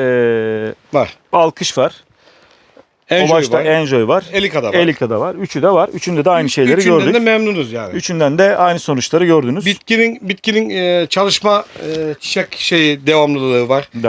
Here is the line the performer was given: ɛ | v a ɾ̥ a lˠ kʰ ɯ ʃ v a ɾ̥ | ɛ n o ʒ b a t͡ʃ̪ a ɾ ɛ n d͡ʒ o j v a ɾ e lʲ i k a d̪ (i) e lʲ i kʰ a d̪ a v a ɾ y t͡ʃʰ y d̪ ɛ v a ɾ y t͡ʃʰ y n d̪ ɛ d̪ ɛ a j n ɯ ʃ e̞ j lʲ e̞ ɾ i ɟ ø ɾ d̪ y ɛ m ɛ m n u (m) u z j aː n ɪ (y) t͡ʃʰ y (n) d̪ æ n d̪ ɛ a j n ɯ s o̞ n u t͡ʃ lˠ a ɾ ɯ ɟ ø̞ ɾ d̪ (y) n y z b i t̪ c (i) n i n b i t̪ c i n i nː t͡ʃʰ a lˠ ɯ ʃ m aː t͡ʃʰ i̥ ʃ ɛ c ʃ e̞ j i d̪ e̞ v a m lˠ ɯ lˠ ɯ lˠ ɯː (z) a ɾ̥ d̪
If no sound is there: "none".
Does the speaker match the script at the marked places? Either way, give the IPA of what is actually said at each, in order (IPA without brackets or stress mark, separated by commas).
a, n, y, n, y, i, v